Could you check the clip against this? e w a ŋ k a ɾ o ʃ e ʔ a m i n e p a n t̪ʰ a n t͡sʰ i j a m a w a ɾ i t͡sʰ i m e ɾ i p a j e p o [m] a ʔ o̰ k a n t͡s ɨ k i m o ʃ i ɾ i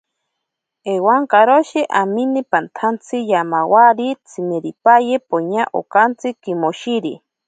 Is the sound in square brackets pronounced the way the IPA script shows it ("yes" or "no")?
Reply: no